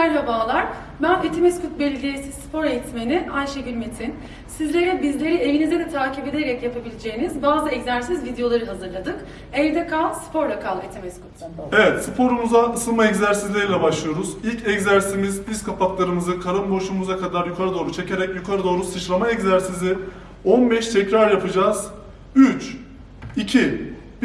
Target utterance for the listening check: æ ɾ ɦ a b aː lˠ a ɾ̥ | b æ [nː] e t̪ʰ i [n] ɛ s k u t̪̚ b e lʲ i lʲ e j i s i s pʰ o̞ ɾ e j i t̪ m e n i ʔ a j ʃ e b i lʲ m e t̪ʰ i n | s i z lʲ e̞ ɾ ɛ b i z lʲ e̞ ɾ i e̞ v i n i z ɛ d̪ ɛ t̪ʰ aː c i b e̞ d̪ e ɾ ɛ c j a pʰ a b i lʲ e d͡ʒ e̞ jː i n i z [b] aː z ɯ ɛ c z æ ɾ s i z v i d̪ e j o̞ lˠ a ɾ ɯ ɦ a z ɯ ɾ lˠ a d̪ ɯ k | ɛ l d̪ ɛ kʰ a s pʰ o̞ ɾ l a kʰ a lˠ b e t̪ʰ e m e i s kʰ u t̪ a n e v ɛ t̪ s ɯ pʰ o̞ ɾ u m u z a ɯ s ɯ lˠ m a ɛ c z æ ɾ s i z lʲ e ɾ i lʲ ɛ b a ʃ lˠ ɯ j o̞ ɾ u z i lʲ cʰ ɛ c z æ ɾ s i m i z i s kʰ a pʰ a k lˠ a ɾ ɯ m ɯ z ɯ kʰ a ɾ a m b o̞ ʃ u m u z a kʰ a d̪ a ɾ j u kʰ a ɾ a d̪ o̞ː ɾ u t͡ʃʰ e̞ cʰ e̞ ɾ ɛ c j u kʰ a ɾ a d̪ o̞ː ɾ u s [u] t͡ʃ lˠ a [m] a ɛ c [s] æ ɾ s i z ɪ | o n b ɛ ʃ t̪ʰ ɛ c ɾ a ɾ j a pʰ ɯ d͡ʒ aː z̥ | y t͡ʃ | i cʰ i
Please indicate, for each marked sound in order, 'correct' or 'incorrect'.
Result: incorrect, incorrect, correct, incorrect, correct, incorrect

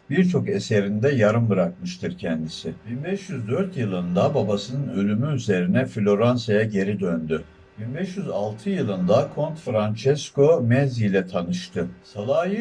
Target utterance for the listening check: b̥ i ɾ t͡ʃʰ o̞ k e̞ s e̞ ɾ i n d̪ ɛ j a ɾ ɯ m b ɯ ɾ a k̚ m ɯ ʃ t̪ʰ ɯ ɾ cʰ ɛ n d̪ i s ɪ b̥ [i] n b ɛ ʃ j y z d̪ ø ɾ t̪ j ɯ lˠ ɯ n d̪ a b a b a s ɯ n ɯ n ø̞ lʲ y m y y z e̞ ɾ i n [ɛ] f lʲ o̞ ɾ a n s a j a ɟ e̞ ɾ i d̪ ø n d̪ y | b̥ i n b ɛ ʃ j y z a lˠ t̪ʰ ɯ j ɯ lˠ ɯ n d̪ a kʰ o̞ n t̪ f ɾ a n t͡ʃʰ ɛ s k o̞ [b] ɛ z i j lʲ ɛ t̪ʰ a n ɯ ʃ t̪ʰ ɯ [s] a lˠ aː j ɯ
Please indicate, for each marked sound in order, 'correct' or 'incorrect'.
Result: correct, correct, incorrect, correct

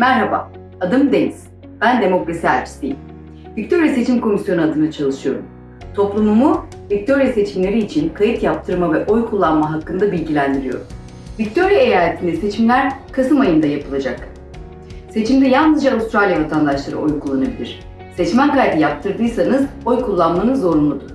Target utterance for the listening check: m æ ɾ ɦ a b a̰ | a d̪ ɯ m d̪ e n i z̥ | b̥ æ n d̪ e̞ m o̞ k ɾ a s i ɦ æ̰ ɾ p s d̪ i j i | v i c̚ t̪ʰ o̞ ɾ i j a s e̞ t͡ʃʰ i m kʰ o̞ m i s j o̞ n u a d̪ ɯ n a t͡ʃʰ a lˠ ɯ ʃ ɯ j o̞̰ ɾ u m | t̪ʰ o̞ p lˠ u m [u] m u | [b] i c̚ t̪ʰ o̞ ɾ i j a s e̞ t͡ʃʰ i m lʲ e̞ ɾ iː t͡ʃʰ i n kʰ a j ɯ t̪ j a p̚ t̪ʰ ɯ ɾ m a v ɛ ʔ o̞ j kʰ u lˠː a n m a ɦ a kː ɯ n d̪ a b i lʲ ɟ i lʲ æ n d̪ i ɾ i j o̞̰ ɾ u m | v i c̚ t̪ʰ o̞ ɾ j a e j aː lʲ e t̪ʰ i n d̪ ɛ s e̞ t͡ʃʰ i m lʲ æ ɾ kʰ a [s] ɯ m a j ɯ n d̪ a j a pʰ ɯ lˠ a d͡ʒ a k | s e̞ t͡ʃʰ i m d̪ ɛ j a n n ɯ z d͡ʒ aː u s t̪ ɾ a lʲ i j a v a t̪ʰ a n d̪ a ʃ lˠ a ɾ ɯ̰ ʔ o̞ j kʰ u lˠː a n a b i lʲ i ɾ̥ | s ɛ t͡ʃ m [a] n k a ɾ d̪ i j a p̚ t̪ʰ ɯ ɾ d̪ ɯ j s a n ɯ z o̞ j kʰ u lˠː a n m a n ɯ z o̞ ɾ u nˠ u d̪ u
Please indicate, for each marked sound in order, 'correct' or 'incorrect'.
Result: correct, incorrect, correct, incorrect

